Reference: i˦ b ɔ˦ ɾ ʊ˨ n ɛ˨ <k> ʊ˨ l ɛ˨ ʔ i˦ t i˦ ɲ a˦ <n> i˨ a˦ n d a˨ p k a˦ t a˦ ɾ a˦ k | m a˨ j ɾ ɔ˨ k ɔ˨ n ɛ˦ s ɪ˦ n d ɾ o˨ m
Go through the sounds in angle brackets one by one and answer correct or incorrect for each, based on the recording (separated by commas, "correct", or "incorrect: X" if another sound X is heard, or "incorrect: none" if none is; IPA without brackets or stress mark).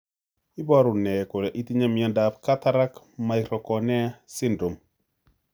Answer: correct, incorrect: m